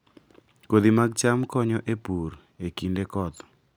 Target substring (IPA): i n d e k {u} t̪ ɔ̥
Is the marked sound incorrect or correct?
incorrect